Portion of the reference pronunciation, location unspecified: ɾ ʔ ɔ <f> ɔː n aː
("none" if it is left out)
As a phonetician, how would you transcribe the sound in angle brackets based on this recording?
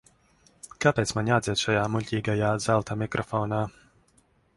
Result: f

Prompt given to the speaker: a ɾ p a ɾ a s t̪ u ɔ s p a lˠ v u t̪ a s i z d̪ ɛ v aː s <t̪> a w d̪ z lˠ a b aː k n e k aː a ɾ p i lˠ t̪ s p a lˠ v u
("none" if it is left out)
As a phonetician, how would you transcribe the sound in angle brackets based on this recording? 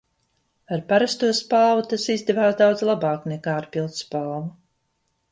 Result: d̪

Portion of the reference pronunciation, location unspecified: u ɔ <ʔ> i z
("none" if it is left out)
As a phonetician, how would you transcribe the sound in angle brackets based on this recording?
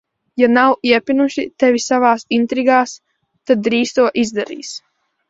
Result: ʔ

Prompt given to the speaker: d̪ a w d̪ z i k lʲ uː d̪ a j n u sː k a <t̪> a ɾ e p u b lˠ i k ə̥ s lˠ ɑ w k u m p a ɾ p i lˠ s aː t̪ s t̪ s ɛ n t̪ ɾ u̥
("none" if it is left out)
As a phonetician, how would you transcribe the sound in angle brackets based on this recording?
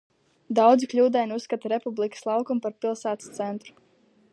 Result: t̪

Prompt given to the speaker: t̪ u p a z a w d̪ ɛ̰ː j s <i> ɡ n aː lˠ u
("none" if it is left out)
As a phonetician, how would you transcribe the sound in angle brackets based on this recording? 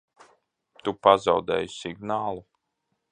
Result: i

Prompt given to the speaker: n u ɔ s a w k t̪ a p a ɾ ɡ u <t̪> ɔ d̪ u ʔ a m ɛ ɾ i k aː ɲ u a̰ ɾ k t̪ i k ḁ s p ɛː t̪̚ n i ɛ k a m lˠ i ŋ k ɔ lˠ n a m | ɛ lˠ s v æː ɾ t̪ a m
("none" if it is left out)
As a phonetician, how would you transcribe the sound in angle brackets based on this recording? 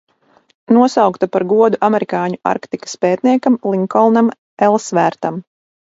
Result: none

